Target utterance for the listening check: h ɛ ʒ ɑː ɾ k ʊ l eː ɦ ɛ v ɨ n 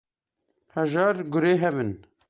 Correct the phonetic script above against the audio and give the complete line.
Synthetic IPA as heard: h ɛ ʒ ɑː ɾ ɡ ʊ ɾ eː ɦ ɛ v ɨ n